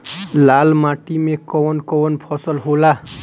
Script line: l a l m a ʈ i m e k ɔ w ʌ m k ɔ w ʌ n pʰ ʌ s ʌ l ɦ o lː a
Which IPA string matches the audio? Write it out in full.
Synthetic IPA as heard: l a l m a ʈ i m e k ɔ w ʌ n k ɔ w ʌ n pʰ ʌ s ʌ l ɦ o l a